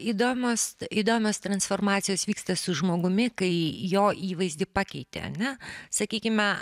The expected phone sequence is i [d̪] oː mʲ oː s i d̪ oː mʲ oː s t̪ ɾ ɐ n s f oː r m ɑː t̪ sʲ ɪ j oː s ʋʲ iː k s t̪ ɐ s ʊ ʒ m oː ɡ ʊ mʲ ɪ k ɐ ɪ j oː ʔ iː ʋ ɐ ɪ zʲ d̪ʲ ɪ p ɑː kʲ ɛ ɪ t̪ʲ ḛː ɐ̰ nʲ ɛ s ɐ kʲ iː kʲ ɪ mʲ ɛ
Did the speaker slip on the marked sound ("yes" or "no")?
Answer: no